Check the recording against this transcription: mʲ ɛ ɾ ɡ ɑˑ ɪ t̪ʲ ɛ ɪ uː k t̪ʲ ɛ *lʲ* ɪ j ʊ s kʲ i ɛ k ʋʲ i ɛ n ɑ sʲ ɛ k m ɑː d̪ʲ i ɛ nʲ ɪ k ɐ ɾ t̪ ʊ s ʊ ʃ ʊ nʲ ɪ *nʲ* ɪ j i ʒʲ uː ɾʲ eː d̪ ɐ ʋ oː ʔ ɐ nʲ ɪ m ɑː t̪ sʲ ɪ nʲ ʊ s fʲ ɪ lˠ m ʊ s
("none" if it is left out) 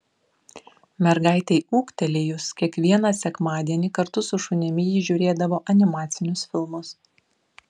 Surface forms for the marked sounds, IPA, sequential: lʲ, mʲ

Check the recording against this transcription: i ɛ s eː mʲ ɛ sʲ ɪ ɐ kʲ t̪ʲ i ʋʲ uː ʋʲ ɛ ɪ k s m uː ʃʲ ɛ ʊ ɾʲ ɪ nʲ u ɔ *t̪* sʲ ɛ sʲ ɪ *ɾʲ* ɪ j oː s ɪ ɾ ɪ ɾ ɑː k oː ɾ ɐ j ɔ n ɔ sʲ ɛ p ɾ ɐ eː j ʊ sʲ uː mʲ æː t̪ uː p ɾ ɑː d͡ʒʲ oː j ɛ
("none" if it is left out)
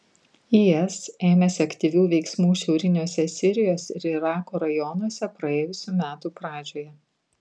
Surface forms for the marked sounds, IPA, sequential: none, ɾʲ

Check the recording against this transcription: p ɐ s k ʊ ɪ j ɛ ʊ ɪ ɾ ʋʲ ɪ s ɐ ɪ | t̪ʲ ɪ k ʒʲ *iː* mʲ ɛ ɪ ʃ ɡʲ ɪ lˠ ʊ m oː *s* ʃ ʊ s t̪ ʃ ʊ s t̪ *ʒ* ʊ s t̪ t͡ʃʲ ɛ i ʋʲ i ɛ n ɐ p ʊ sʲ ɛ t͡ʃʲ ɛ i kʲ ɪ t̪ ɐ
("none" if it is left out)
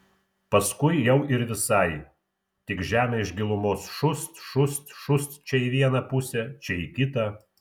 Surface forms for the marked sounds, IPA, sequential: æː, s, ʃ

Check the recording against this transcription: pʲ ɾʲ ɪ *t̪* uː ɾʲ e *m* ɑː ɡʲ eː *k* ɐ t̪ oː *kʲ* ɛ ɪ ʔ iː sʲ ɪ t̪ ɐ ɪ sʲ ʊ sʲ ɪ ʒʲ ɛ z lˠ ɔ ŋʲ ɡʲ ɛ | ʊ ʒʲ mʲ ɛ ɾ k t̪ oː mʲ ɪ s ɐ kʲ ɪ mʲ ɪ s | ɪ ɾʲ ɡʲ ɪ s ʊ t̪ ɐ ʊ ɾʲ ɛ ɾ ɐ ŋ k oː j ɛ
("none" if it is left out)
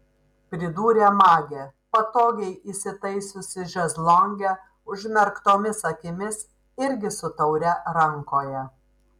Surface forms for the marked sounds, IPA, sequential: d̪, m, p, ɡʲ

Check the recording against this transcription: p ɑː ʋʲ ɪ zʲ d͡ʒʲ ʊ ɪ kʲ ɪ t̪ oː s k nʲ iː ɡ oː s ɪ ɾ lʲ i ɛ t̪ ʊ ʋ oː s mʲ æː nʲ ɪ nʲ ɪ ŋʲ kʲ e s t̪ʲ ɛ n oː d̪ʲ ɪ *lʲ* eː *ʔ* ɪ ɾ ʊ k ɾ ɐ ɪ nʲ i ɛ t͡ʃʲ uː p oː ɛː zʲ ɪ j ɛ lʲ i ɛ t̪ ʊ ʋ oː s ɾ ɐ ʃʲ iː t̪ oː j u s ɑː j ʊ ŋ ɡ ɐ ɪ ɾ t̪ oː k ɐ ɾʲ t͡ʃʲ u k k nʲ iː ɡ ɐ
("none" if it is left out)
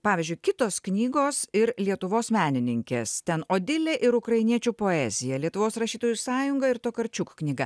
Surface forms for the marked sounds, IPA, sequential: lʲ, ʔ

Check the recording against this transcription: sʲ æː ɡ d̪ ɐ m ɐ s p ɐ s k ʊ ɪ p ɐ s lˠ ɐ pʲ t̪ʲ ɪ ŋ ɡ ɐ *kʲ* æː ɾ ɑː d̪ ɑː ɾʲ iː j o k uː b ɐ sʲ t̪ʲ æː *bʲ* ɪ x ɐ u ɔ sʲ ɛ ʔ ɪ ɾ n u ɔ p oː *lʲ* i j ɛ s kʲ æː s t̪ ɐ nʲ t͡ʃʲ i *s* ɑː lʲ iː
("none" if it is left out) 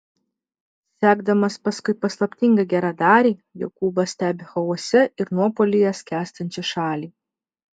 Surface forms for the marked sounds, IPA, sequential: ɡʲ, bʲ, lʲ, ʃ

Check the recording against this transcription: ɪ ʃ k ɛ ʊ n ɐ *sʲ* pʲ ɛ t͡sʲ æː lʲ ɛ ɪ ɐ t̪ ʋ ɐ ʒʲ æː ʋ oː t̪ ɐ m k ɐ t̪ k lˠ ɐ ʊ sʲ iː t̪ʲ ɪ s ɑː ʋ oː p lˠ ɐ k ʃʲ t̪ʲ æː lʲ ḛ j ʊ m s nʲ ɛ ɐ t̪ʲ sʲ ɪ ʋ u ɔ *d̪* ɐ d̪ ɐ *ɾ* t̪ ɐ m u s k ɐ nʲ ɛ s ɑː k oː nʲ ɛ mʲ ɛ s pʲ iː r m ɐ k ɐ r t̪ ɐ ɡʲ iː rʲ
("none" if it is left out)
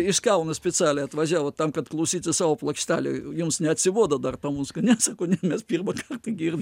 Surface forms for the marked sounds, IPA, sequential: sʲ, d̪, r

